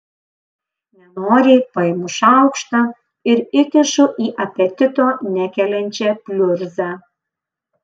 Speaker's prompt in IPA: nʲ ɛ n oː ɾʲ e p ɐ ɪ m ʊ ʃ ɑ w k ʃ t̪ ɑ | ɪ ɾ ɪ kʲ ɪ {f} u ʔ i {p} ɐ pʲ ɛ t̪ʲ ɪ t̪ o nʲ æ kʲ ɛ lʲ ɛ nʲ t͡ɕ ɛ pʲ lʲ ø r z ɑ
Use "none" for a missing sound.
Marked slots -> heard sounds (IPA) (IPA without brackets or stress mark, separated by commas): ʃ, ʔ